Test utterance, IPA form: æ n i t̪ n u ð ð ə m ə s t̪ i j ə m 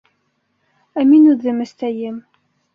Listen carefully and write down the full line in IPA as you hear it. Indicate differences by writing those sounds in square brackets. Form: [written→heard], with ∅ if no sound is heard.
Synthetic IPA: æ [n→m] i [t̪→∅] n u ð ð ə m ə s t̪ [i→æ] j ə m